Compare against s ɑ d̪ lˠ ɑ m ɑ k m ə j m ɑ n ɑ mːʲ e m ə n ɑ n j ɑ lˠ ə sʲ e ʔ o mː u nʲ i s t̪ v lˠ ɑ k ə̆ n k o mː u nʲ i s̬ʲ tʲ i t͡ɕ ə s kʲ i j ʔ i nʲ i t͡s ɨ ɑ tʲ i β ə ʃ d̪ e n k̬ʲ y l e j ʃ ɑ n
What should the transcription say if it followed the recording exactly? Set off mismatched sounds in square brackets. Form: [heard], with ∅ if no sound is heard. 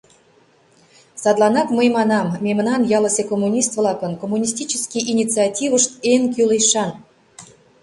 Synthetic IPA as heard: s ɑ d̪ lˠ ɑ [n] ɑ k m ə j m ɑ n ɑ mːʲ e m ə n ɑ n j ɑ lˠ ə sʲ e [k] o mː u nʲ i s t̪ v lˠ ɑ k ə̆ n k o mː u nʲ i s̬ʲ tʲ i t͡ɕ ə s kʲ i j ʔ i nʲ i t͡s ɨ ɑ tʲ i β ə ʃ [t̪] e n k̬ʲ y l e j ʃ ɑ n